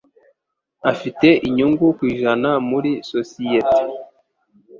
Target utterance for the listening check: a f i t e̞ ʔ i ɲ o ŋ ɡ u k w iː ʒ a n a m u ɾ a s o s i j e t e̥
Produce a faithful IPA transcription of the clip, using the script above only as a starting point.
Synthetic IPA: a f i t e̞ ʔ i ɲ u ŋ ɡ u k w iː ʒ a n a m u ɾ i s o s i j e t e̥